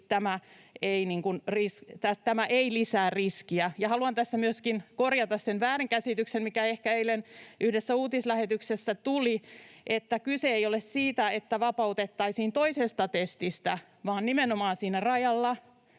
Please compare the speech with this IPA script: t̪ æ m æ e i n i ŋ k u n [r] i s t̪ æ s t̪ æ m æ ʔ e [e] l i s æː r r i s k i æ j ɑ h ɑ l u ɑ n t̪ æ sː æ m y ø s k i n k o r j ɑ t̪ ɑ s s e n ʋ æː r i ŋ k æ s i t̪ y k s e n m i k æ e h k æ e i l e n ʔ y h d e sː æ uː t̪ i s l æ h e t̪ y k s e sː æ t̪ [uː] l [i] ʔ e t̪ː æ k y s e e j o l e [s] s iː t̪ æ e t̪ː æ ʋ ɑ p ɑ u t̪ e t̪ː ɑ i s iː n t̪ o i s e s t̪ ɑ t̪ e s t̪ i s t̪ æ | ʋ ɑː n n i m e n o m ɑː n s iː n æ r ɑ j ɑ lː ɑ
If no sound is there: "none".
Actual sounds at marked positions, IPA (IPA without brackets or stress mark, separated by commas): r, i, u, i, s